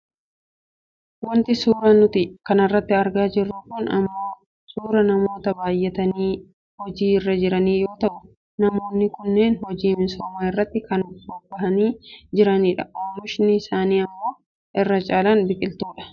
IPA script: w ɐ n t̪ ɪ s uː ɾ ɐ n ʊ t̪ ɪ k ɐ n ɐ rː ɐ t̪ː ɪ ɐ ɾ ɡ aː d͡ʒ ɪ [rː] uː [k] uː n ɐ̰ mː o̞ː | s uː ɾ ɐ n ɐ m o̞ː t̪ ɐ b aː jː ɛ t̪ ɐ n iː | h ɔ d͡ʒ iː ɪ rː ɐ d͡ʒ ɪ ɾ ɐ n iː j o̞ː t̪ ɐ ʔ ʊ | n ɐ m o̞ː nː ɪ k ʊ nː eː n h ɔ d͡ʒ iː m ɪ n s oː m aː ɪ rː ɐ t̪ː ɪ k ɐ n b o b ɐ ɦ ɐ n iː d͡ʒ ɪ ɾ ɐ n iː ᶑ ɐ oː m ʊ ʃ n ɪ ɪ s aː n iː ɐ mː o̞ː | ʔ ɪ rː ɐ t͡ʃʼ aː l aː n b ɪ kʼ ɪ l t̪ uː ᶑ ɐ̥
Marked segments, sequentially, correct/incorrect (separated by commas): correct, correct